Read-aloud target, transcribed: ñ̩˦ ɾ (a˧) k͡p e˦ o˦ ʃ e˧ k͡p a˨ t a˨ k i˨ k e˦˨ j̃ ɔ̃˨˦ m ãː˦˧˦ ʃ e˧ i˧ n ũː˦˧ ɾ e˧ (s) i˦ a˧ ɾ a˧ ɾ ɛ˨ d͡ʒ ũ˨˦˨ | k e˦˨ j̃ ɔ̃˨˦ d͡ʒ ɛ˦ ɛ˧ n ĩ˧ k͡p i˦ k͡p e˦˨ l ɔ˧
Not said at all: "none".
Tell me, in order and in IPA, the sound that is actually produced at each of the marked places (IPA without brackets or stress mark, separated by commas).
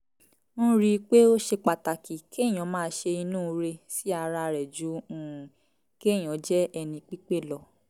i˧, s